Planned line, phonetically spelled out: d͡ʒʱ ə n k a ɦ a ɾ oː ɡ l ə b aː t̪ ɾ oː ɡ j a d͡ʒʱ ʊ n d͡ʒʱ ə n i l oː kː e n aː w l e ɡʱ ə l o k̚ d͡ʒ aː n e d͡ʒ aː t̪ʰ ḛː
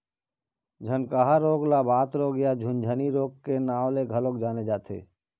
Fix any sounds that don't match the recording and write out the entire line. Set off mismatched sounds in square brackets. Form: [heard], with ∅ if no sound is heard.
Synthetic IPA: d͡ʒʱ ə n k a ɦ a ɾ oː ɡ l [a] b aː t̪ ɾ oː ɡ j a d͡ʒʱ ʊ n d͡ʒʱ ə n i [ɾ] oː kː e n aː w l e ɡʱ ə l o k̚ d͡ʒ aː n e d͡ʒ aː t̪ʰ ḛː